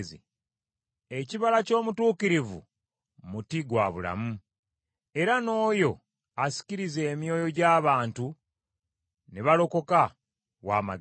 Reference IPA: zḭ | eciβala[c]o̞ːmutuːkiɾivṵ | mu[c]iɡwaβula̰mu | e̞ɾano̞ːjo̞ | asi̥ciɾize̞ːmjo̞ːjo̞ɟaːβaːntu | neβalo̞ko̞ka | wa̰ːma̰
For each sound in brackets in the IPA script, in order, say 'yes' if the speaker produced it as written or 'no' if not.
yes, no

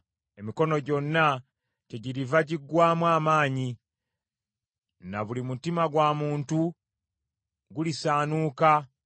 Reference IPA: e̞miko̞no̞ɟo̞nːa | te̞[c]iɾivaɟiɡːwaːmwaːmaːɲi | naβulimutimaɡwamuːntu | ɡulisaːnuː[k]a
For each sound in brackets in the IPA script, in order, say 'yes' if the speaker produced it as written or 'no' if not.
no, yes

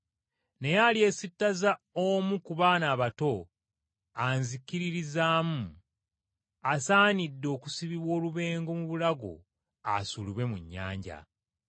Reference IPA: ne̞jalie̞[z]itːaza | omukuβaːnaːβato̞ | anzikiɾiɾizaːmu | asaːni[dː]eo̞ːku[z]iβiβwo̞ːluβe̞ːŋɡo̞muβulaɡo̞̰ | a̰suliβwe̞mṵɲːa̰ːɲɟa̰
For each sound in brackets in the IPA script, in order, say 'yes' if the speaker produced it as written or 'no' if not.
no, yes, no

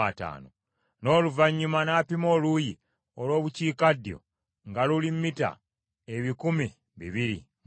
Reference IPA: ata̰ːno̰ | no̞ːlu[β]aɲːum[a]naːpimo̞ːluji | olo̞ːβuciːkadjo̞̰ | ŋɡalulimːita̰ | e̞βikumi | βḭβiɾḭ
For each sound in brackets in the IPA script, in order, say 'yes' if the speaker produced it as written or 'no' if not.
no, yes

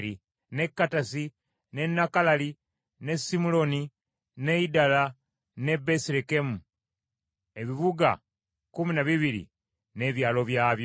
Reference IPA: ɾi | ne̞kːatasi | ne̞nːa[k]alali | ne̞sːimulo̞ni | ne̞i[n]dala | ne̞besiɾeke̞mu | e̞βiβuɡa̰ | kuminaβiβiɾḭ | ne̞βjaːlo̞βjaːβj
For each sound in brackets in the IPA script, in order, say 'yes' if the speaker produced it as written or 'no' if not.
yes, no

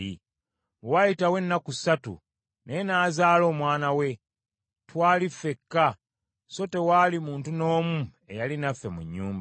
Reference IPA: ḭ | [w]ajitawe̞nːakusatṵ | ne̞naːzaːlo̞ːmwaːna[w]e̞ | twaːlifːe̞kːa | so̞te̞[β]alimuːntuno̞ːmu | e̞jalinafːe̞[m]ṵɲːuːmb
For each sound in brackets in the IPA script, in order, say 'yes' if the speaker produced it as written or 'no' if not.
yes, yes, no, yes

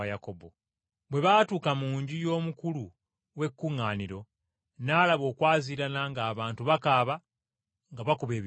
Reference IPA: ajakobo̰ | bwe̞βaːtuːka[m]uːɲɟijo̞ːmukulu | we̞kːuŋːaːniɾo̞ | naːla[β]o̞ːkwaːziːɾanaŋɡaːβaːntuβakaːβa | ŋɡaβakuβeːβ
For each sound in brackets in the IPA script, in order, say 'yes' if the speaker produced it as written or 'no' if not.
yes, yes

